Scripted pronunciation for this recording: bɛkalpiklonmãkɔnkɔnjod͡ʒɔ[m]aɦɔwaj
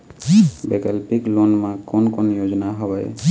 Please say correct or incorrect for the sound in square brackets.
incorrect